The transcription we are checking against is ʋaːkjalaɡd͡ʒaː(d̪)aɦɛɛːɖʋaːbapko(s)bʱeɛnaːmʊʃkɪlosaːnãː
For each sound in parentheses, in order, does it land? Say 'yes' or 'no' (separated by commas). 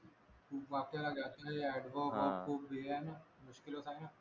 no, no